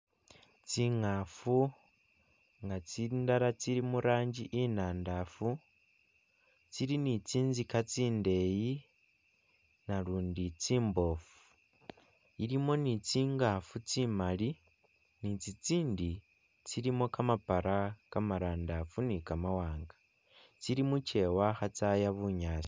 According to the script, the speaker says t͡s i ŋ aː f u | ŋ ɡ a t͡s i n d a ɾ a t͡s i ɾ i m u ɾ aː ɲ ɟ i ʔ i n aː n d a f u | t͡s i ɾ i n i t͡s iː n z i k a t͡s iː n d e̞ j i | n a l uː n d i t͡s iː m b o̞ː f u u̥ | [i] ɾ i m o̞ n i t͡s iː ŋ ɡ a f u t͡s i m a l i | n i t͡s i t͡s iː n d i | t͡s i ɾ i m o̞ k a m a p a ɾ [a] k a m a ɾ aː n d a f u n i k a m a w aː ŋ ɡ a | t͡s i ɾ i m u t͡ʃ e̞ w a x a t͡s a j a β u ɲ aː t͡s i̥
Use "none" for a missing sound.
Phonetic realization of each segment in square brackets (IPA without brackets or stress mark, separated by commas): i, a